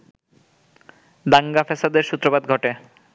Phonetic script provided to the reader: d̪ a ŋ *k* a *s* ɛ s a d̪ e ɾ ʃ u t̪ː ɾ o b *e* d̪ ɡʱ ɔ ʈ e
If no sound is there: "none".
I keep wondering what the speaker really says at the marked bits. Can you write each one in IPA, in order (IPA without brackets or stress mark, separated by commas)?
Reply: ɡ, f, a